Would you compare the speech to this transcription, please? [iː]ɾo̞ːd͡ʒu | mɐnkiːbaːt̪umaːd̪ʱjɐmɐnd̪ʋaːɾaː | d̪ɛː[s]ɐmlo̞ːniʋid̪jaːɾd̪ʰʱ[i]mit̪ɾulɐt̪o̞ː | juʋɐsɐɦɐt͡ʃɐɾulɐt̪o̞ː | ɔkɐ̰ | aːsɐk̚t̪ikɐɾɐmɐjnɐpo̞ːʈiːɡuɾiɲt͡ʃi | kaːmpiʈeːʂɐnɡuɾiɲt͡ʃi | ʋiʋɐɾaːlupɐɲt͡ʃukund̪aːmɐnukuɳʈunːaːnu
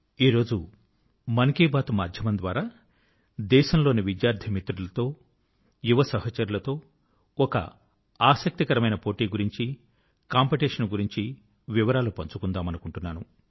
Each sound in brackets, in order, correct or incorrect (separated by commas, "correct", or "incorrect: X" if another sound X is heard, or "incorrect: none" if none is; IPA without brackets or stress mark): correct, incorrect: ʃ, correct